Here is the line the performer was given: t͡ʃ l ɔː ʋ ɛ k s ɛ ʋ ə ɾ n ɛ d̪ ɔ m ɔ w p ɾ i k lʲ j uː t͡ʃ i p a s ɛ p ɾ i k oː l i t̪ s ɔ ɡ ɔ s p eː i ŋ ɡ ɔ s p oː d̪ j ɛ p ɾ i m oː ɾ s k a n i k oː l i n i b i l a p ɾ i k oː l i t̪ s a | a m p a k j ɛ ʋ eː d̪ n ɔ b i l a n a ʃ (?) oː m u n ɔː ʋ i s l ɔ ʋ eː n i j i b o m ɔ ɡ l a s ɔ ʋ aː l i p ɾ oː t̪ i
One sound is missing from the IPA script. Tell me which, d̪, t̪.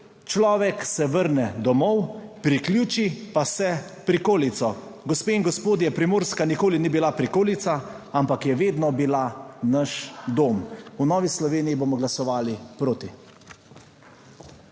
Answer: d̪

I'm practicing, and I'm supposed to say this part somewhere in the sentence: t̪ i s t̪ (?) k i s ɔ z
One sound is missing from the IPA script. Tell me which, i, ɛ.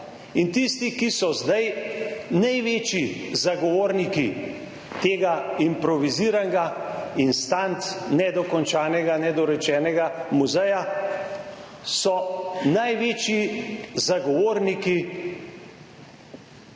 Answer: i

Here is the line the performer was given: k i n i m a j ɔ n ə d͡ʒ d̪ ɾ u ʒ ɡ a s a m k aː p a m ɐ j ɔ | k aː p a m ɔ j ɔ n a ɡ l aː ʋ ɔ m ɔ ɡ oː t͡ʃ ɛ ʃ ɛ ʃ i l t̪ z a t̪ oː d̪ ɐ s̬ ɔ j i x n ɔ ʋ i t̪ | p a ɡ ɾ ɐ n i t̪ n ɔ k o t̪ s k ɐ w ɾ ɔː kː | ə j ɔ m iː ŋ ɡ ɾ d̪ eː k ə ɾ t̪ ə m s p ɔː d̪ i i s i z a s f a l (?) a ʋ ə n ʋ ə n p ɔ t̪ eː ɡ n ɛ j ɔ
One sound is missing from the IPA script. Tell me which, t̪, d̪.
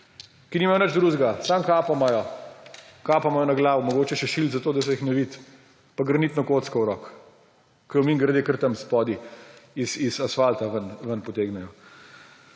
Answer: t̪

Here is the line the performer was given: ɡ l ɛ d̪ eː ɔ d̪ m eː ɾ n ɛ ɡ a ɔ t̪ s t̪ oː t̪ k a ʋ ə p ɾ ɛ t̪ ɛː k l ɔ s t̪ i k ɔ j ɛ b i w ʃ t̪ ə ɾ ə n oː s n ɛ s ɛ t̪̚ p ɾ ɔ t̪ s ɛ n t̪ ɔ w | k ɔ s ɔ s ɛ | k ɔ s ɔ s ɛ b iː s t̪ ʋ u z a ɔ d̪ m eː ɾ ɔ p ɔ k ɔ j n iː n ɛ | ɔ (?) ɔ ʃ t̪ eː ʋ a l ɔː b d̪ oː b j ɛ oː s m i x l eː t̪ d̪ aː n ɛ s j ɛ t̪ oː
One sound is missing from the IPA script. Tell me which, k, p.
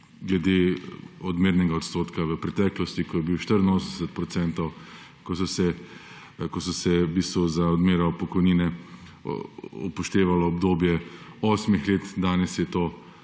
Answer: p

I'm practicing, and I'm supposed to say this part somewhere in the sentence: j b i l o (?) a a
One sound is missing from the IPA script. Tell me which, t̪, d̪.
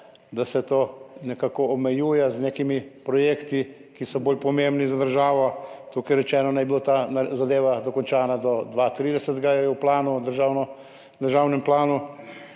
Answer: t̪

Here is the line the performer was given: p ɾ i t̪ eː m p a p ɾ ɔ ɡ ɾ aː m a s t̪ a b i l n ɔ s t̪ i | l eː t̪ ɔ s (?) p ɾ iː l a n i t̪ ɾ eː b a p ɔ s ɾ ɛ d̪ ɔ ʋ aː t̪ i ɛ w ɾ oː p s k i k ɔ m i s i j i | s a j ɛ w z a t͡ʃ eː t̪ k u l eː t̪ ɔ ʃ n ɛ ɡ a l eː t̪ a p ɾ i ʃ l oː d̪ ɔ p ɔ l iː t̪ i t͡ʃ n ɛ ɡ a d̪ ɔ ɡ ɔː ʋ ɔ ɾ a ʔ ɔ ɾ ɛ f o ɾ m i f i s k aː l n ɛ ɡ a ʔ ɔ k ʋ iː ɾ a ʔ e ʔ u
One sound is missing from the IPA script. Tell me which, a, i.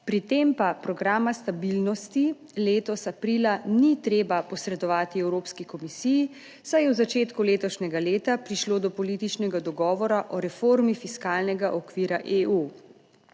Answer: a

